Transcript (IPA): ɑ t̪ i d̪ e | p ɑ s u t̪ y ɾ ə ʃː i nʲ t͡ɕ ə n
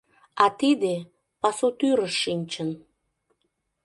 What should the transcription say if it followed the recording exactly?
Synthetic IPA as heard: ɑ t̪ i d̪ e | p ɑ s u t̪ y ɾ ə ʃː i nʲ t͡ɕ ə n

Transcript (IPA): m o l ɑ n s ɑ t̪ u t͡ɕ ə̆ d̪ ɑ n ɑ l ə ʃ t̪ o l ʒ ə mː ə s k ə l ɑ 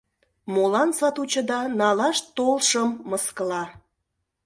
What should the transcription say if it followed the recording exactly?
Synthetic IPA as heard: m o l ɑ n s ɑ t̪ u t͡ɕ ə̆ d̪ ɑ n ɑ l ɑ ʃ t̪ o l ʃ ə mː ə s k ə l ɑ

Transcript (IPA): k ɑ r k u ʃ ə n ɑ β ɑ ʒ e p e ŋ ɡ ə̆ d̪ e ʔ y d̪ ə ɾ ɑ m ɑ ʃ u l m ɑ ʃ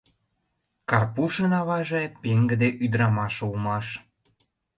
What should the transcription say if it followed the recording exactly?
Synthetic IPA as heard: k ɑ r p u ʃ ə n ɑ β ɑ ʒ e p e ŋ ɡ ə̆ d̪ e ʔ y d̪ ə ɾ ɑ m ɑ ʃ u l m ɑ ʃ

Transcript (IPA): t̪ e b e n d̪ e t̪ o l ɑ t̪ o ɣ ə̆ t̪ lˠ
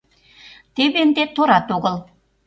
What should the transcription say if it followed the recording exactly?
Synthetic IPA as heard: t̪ e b e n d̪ e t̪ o ɾ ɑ t̪ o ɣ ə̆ lˠ

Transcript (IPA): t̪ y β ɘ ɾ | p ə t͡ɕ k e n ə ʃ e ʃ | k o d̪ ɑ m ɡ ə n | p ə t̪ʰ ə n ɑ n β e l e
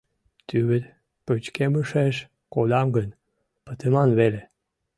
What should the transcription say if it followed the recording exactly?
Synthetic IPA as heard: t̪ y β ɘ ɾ | p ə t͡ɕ k e m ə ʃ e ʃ | k o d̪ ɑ m ɡ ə n | p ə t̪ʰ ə m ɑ n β e l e

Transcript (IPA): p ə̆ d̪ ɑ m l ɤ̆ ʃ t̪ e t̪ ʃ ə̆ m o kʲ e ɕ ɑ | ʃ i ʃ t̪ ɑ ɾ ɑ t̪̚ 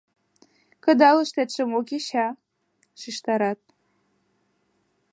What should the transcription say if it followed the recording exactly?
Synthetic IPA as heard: k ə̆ d̪ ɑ l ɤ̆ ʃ t̪ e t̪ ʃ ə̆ m o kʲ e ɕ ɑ | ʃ i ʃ t̪ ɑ ɾ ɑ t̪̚

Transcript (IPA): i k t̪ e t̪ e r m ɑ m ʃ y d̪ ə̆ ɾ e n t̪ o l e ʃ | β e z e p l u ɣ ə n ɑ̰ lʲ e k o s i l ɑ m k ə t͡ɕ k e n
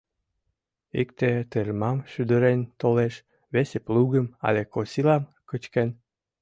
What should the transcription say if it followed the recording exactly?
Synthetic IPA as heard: i k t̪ e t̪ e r m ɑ m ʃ y d̪ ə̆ ɾ e n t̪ o l e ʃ | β e s e p l u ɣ ə m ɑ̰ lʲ e k o s i l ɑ m k ə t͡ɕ k e n

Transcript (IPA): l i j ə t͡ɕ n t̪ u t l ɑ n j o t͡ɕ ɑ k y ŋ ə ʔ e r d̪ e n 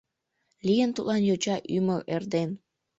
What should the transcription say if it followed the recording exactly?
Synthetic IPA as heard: l i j ə n t̪ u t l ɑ n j o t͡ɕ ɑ ʔ y m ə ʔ e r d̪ e n

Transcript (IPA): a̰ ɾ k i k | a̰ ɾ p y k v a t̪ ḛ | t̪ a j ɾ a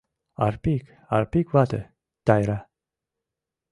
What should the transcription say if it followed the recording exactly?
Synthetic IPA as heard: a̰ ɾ p i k | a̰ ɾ p i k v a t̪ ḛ | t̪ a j ɾ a

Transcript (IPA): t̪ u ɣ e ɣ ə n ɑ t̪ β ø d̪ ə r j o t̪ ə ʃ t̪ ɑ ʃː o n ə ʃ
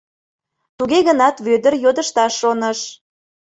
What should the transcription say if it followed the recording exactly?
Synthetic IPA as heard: t̪ u ɣ e ɣ ə n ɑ t̪ β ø d̪ ə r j o d̪ ə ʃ t̪ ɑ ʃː o n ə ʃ

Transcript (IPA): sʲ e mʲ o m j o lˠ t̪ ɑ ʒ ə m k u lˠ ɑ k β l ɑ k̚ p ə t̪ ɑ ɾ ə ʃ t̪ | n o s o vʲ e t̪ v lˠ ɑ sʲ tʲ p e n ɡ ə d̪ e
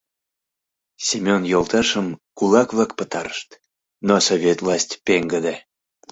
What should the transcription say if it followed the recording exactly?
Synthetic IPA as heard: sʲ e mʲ o n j o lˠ t̪ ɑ ʃ ə m k u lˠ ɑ k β l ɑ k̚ p ə t̪ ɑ ɾ ə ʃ t̪ | n o s o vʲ e t̪ v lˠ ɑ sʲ tʲ p e ŋ ɡ ə d̪ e

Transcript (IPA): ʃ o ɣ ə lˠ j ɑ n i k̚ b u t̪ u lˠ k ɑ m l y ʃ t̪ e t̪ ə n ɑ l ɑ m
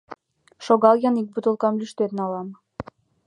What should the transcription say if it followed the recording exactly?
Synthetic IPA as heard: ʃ o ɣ ɑ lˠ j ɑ n i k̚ b u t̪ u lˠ k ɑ m l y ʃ t̪ e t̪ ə n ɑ l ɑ m

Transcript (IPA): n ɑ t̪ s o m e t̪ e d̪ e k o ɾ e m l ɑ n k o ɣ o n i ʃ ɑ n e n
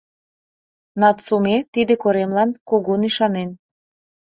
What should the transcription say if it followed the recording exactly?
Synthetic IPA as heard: n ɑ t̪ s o m e t̪ i d̪ e k o ɾ e m l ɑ n k o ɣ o n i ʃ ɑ n e n

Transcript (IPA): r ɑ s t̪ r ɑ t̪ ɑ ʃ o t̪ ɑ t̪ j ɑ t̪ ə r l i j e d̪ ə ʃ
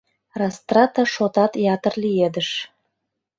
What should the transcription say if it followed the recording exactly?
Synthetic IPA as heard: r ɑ s t̪ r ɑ t̪ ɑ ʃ o t̪ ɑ t̪ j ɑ t̪ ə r l i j e d̪ ə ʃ

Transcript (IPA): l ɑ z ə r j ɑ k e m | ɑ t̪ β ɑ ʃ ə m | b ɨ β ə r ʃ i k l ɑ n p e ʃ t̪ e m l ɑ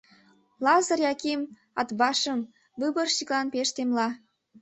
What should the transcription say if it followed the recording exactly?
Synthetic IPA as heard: l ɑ z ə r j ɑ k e m | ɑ t̪ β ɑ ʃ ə m | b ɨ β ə r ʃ i k l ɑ n p e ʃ t̪ e m l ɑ

